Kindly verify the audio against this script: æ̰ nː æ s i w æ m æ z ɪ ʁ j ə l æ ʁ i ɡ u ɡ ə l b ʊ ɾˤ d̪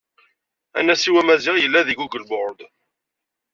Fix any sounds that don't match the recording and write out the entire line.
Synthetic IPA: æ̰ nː æ s i w æ m æ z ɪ ʁ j ə lː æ ð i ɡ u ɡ ə l b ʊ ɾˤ d̪